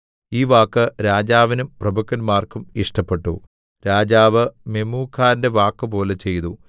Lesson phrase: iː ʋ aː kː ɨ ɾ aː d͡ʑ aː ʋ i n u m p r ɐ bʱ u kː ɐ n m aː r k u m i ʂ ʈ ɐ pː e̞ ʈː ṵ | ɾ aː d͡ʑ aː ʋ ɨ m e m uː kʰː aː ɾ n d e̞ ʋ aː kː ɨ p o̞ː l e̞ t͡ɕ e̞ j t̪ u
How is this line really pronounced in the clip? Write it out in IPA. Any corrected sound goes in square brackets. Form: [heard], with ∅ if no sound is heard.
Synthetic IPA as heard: iː ʋ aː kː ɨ ɾ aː d͡ʑ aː ʋ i n u m p r ɐ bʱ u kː ɐ n m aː r k u m i ʂ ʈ ɐ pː e̞ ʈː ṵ | ɾ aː d͡ʑ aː ʋ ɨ m e m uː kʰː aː ɾ n d e̞ ʋ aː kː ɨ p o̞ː l e̞ t͡ɕ e̞ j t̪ u